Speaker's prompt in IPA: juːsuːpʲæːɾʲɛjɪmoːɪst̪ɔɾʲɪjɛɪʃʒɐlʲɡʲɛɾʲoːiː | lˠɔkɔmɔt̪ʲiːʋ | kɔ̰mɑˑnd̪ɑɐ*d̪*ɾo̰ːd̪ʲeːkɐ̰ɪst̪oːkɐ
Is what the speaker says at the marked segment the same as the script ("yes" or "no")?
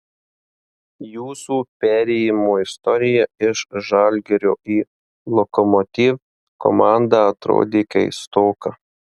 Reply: no